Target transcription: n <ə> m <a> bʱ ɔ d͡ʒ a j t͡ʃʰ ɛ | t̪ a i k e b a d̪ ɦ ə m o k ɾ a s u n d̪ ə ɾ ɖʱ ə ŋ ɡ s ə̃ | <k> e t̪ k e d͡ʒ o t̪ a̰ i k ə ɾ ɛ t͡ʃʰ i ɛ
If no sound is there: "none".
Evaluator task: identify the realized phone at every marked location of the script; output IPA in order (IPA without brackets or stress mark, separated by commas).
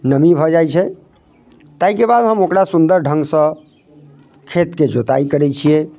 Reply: ə, i, kʰ